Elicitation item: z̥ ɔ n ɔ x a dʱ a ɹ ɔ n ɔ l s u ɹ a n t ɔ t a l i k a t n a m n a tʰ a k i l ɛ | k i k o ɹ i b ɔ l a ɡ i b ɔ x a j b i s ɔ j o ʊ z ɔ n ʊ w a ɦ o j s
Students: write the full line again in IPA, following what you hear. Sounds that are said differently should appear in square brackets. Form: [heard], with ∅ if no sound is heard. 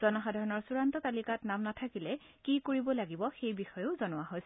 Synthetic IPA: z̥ ɔ n ɔ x a dʱ a ɹ ɔ n ɔ [ɹ] s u ɹ a n t ɔ t a l i k a t n a m n a tʰ a k i l ɛ | k i k o ɹ i b ɔ l a ɡ i b ɔ x [e] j b i [x] ɔ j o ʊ z ɔ n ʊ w a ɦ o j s